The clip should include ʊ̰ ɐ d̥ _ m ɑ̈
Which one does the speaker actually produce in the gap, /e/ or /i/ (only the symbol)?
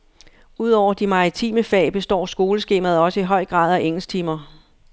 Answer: i